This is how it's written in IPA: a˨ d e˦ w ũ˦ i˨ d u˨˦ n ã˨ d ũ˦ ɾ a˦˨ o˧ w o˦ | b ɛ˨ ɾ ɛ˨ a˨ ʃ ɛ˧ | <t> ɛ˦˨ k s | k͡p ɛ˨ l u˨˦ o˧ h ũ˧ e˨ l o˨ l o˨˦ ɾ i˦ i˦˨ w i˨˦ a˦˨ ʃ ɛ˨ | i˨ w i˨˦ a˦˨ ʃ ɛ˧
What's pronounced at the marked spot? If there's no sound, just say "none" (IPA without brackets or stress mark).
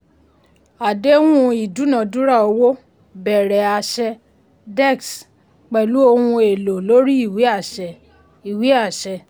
d